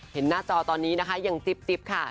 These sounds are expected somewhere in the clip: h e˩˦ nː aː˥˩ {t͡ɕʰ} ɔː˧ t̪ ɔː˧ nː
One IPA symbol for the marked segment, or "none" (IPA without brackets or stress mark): t͡ɕ